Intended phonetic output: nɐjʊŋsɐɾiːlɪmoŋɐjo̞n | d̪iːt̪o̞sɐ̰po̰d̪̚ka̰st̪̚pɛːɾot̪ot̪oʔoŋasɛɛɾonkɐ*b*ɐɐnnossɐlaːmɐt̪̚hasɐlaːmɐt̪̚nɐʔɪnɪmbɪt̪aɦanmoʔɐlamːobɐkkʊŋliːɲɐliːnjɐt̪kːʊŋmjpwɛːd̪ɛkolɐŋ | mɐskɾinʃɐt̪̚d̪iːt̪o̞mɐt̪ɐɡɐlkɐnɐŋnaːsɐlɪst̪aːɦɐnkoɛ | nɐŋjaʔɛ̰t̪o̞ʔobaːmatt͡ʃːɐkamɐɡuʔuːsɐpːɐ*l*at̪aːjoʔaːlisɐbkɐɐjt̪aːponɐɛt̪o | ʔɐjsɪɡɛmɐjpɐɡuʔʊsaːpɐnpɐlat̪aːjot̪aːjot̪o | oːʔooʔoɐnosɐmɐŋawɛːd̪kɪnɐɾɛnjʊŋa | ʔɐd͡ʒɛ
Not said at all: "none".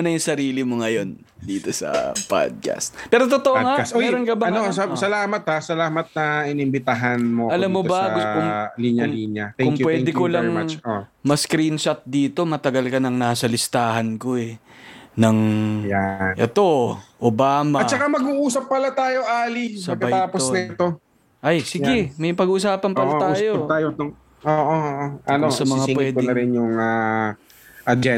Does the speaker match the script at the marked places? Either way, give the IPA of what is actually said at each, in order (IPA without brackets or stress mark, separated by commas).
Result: b, l